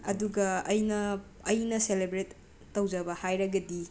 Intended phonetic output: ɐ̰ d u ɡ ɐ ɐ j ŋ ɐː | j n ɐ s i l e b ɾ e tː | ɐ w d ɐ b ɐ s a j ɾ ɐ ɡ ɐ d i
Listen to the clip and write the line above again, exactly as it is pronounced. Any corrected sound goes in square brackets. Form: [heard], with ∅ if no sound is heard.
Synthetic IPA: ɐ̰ d u ɡ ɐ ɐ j [n] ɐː | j n ɐ s [e] l e b ɾ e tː | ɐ w [d͡ʒ] ɐ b ɐ [h] a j ɾ ɐ ɡ ɐ d i

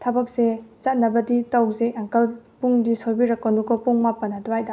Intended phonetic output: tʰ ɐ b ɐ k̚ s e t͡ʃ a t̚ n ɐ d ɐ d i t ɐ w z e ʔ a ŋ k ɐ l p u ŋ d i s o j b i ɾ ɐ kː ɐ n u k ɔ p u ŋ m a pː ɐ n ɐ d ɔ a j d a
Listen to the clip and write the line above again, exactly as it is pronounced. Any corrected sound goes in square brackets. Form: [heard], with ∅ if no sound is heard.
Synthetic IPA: tʰ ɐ b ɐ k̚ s e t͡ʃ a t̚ n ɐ [b] ɐ d i t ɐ w z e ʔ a ŋ k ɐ l p u ŋ d i s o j b i ɾ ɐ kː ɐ n u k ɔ p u ŋ m a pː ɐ n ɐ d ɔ a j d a

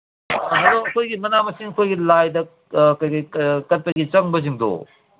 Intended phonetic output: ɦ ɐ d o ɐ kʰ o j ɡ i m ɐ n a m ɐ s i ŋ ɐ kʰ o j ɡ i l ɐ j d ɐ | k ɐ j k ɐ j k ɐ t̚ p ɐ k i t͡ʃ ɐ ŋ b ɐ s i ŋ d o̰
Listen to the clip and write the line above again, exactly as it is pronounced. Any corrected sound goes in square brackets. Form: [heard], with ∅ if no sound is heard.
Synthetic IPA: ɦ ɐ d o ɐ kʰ o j ɡ i m ɐ n a m ɐ s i ŋ ɐ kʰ o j ɡ i l [a] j d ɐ | k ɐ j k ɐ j k ɐ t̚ p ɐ [ɡ] i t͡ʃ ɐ ŋ b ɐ [z] i ŋ d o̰

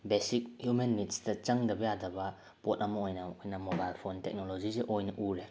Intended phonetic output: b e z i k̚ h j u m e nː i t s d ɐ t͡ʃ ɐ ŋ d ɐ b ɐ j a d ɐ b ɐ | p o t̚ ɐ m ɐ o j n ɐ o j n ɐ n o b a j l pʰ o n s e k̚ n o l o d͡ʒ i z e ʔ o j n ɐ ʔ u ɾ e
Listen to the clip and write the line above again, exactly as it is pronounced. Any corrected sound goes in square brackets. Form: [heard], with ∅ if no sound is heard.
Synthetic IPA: b e [s] i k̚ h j u m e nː i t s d ɐ t͡ʃ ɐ ŋ d ɐ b ɐ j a d ɐ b ɐ | p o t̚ ɐ m ɐ o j n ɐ o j n ɐ [m] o b a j l pʰ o n [t] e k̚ n o l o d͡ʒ i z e ʔ o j n ɐ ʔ u ɾ e

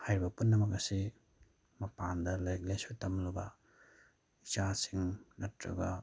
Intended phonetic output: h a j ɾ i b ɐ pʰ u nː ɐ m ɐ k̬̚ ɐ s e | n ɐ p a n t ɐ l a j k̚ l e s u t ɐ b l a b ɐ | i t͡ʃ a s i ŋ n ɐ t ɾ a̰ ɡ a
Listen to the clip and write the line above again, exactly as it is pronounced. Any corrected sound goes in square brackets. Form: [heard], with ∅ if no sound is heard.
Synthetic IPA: h a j ɾ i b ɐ [p] u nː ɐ m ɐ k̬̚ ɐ s [i] | [m] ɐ p a n [d] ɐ l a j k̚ l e s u t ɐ [m] l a b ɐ | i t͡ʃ a s i ŋ n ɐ t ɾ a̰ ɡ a

